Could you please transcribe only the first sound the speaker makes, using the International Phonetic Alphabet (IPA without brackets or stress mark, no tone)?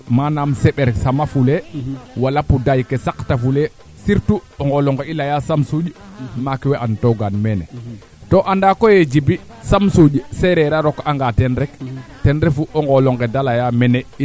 m